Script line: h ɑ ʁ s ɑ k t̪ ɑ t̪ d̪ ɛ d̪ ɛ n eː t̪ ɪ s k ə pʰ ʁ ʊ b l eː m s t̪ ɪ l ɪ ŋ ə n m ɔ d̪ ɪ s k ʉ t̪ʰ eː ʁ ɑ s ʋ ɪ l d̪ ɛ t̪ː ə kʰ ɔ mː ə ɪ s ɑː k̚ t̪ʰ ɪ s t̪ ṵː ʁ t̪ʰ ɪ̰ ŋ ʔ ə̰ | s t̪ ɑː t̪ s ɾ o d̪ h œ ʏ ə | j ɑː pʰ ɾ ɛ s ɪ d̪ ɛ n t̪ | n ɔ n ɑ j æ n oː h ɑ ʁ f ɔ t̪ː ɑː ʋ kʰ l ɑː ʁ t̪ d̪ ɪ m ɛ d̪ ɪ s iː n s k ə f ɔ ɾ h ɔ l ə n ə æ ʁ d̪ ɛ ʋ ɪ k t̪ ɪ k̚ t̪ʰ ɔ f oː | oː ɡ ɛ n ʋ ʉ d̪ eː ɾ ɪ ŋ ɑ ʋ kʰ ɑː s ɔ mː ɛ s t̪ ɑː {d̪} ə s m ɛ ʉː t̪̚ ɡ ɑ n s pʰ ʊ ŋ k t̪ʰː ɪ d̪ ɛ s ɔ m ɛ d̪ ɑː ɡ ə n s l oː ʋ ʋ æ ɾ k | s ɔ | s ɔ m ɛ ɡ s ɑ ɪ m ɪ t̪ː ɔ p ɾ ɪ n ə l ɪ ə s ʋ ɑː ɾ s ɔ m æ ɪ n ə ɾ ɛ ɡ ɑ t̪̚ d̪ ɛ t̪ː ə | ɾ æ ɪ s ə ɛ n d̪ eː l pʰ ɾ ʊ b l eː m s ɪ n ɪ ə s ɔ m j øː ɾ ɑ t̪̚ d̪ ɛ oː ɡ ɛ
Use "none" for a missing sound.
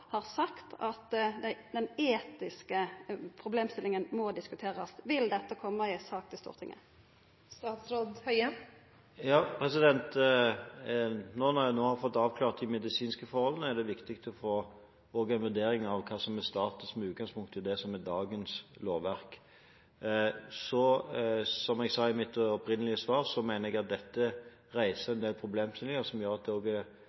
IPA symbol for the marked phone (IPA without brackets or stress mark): t̪